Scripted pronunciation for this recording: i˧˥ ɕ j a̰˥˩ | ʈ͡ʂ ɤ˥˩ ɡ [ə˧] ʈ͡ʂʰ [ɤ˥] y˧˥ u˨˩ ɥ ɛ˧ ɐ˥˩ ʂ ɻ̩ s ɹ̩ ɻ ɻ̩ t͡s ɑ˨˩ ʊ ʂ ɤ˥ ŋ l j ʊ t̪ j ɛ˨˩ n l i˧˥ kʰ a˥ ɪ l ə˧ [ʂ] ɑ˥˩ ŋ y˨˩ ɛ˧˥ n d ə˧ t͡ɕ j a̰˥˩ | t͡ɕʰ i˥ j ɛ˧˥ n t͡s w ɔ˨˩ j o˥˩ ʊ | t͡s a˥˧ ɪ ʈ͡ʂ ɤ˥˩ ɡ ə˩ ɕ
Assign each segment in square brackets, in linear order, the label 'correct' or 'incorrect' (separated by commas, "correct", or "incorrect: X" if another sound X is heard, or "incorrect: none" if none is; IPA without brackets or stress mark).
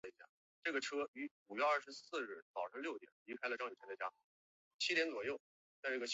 incorrect: ə˩, correct, incorrect: ʈ͡ʂ